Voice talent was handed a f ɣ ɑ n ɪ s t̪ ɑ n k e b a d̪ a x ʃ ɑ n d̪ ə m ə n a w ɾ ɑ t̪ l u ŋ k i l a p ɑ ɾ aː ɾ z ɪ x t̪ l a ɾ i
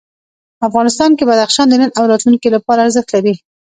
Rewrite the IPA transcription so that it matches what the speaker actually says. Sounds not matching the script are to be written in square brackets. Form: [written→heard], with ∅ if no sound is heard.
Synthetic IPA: a f ɣ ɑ n ɪ s t̪ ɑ n k e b a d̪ a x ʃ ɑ n d̪ ə [m→n] ə n a w ɾ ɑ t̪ l u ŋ k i l a p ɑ ɾ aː ɾ z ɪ x t̪ l a ɾ i